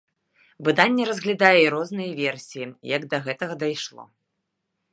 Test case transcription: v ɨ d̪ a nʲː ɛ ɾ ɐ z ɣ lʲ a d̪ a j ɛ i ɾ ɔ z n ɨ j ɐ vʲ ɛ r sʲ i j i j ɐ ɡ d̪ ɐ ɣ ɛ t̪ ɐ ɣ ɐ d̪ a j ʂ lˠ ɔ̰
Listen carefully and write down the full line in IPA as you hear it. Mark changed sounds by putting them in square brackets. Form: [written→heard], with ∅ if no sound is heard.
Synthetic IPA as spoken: v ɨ d̪ a nʲː ɛ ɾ ɐ z ɣ lʲ a d̪ a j ɛ i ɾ ɔ z n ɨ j ɐ vʲ ɛ r sʲ i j i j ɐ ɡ d̪ ɐ ɣ ɛ t̪ ɐ ɣ ɐ d̪ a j ʂ lˠ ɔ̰